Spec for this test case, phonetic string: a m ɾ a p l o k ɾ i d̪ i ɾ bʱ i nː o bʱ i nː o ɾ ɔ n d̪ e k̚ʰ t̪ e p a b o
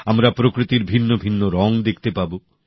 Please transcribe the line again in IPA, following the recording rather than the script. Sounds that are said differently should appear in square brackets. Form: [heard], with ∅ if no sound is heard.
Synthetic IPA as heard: a m ɾ a p [ɾ] o k ɾ i [t̪] i ɾ bʱ i nː o bʱ i nː o ɾ ɔ [ŋ] d̪ e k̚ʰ t̪ e p a b o